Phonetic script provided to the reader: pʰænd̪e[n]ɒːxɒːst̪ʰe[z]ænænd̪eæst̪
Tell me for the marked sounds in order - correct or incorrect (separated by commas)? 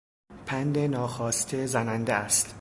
correct, correct